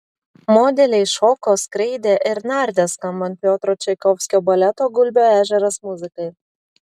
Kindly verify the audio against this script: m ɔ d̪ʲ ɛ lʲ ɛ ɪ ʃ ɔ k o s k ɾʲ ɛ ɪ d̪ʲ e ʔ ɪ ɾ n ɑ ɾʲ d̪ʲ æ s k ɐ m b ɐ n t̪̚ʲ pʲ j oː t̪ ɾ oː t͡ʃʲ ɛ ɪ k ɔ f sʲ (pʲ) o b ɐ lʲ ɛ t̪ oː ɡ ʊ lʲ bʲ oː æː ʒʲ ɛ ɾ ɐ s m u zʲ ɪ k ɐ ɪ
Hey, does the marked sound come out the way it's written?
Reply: no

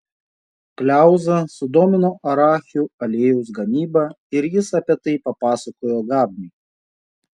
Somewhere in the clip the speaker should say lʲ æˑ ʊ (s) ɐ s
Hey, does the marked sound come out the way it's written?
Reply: no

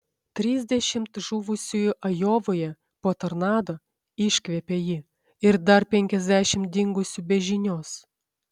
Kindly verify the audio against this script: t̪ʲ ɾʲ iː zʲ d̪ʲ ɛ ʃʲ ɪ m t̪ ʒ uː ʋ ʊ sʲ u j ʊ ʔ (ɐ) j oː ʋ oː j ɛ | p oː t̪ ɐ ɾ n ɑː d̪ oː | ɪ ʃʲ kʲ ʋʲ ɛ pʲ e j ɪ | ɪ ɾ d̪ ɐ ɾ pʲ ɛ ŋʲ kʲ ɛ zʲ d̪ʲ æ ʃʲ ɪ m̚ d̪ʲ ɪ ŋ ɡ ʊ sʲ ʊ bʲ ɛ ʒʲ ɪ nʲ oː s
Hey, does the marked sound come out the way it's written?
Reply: yes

